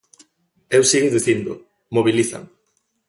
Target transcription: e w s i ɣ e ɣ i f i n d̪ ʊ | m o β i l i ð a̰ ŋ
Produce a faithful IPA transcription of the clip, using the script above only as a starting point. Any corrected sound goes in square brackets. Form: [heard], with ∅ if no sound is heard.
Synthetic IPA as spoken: e w s i ɣ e [ð] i [θ] i n d̪ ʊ | m o β i l i [θ] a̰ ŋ